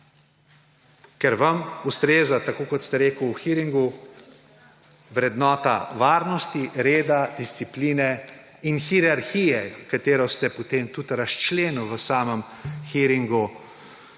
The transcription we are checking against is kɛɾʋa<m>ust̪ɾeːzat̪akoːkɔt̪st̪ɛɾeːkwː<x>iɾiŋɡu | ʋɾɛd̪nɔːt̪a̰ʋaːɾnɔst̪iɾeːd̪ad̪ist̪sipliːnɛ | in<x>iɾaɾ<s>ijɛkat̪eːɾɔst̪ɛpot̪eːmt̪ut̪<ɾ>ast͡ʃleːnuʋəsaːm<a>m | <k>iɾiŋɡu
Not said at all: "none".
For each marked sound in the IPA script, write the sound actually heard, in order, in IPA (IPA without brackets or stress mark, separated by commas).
m, x, x, x, ɾ, ə, x